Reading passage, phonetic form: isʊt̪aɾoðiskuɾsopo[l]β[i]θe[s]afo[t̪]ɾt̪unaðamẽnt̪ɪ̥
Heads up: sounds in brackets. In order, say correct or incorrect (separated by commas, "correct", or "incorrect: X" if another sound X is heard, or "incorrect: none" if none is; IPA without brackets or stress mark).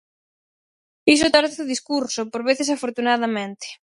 incorrect: ɾ, incorrect: e, correct, incorrect: none